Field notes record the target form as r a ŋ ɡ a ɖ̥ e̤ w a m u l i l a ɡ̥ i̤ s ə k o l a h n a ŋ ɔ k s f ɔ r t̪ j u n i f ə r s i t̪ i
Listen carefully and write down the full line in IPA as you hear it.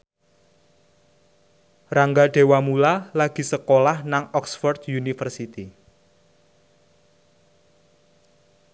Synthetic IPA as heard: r a ŋ ɡ a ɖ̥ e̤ w a m u l a l a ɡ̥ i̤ s ə k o l a h n a ŋ ɔ k s f ɔ r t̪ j u n i f ə r s i t̪ i